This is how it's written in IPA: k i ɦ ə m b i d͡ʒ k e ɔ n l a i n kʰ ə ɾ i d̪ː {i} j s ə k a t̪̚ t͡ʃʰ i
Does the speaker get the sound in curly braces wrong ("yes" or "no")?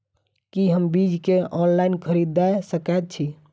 yes